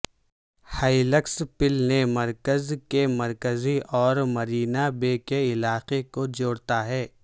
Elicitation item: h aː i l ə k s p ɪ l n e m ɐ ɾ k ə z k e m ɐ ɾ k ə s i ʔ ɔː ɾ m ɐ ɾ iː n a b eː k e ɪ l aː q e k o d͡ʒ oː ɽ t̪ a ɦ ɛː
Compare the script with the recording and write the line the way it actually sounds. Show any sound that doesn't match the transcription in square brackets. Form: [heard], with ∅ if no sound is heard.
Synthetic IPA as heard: h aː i l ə k s p ɪ l n e m ɐ ɾ k ə z k e m ɐ ɾ k ə [z] i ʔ ɔː ɾ m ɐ ɾ iː n a b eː k e ɪ l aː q e k o d͡ʒ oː ɽ t̪ a ɦ ɛː